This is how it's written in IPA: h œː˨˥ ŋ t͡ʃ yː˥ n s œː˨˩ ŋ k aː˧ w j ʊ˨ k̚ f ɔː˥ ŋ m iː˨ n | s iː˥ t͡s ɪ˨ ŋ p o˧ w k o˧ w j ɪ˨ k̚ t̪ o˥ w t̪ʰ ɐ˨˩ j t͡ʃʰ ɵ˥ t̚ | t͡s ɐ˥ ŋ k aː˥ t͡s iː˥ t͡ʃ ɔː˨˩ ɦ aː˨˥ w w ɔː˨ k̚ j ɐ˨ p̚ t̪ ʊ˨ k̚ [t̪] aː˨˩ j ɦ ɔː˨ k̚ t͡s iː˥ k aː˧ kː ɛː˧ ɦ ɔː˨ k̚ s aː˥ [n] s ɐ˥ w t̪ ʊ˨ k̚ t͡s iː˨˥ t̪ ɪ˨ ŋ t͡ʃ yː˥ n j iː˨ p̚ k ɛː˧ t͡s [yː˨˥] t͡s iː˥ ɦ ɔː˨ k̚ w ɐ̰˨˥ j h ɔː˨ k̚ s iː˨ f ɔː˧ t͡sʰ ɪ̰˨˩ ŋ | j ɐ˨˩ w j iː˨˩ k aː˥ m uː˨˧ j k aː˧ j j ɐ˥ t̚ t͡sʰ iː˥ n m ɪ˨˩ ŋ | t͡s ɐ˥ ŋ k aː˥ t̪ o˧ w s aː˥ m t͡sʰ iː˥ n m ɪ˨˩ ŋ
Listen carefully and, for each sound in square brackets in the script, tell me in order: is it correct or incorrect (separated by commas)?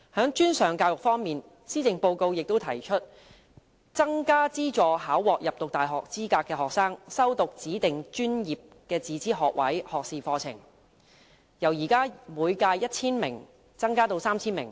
correct, incorrect, incorrect